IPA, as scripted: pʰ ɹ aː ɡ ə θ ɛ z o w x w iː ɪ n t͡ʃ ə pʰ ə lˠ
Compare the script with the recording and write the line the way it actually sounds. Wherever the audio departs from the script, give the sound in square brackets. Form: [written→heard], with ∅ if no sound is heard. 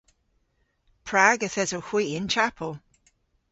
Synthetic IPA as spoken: pʰ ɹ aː ɡ ə θ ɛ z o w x w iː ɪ n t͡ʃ [ə→a] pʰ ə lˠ